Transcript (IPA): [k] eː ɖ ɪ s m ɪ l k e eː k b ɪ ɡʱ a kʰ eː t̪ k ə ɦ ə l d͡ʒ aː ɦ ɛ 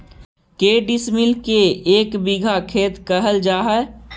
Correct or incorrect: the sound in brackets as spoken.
correct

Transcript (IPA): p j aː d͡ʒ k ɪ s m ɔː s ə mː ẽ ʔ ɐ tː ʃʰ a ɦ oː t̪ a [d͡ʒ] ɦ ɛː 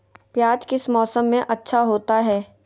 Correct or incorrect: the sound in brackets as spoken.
incorrect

